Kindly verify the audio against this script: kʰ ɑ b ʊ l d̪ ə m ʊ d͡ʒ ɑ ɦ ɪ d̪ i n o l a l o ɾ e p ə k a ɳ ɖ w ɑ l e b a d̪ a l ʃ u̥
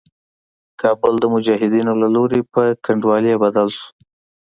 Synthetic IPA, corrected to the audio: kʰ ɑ b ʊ l d̪ ə m ʊ d͡ʒ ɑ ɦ ɪ d̪ i n o l a l o ɾ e p ə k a ɳ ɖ w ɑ l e b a d̪ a l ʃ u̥

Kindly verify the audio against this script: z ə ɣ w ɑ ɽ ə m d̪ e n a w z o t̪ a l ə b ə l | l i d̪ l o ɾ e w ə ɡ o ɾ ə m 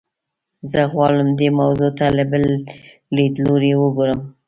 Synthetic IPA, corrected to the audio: z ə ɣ w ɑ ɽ ə m d̪ e m a w z o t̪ a l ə b ə l | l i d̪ l o ɾ e w ə ɡ o ɾ ə m

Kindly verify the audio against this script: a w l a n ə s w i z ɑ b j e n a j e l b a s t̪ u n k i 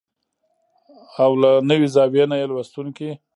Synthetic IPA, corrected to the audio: a w l a n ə w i z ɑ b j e n a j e l w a s t̪ u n k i

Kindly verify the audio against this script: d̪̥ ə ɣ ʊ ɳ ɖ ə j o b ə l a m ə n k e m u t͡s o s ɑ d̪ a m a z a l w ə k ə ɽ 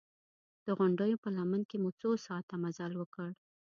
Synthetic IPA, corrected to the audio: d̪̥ ə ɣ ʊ ɳ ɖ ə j o p ə l a m ə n k e m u t͡s o s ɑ t̪ a m a z a l w ə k ə ɽ

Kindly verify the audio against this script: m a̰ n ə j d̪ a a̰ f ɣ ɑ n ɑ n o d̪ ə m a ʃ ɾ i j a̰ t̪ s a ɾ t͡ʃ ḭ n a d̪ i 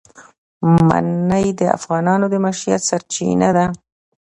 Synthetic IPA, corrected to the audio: m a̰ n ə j d̪ ə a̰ f ɣ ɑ n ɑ n o d̪ ə m a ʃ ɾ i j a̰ t̪ s a ɾ t͡ʃ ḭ n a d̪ a

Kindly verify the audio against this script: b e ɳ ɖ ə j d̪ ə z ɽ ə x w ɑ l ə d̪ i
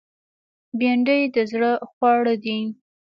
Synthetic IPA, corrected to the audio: b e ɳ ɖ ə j d̪ ə z ɽ ə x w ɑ ɽ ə d̪ i

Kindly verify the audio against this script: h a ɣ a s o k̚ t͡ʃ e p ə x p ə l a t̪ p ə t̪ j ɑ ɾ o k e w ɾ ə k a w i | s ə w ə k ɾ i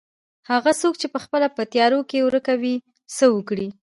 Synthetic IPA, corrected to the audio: h a ɣ a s o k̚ t͡ʃ e p ə x p ə l a p ə t̪ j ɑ ɾ o k e w ɾ ə k a w i | s ə w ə k ɽ i

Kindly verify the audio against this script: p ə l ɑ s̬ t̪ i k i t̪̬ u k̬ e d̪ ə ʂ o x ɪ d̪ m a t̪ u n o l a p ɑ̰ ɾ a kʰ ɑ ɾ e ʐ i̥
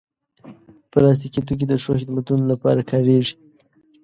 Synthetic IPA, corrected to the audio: p ə l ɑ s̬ t̪ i k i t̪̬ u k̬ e d̪ ə ʂ o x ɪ d̪ m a t̪ u n o l a p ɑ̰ ɾ a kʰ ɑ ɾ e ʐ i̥

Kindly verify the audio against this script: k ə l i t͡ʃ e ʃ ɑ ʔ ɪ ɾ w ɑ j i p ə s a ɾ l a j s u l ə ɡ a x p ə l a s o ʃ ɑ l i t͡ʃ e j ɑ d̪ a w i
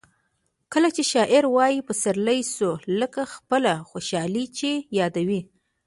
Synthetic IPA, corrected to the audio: k ə l a t͡ʃ e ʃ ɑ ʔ ɪ ɾ w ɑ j i p ə s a ɾ l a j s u l ə k a x p ə l a x o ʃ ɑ l i t͡ʃ e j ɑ d̪ a w i

